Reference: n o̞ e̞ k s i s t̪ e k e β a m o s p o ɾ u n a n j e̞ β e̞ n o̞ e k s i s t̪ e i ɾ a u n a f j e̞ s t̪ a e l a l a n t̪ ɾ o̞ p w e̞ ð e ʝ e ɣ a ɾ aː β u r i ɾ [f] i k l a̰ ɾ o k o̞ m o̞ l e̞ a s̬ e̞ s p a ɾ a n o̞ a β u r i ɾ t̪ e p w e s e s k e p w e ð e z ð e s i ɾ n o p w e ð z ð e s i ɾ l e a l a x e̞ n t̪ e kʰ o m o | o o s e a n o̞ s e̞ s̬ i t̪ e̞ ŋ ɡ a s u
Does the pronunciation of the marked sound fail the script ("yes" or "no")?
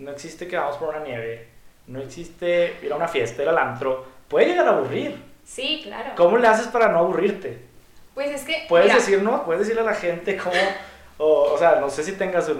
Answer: yes